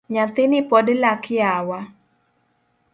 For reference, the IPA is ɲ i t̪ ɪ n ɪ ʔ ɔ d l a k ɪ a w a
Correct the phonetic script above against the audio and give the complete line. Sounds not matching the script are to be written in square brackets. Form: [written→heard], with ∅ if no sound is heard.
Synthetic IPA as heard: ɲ [i→a] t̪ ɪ n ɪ [ʔ→p] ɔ d l a k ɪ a w a